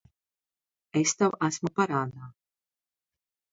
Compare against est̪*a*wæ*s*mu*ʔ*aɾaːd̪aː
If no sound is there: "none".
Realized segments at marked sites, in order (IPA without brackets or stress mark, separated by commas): a, s, p